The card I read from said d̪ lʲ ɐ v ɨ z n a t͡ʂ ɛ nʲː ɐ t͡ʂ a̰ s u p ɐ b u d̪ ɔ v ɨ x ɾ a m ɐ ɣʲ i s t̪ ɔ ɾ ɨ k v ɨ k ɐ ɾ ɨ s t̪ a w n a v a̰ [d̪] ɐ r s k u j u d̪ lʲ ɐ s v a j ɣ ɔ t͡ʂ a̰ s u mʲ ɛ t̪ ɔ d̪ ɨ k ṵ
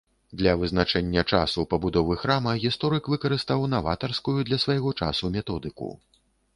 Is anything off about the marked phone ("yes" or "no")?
yes